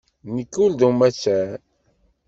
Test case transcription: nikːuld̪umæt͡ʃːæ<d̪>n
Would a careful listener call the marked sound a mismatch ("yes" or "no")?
yes